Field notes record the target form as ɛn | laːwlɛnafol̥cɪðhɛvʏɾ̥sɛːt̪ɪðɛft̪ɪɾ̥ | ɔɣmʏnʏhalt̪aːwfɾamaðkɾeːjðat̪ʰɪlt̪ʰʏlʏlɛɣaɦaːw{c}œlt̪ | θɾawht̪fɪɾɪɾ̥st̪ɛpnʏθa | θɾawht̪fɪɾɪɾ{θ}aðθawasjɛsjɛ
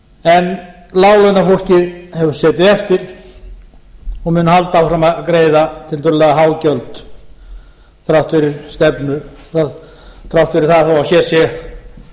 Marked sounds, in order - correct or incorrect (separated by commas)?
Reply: correct, correct